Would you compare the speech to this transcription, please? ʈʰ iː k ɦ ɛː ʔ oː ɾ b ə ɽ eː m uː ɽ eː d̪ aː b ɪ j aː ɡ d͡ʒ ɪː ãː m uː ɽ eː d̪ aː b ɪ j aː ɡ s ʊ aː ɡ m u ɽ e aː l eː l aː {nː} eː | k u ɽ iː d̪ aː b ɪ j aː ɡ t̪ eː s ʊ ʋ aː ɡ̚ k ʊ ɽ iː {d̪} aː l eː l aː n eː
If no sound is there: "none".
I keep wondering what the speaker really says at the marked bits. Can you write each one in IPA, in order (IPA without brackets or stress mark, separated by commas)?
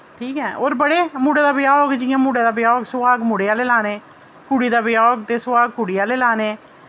n, none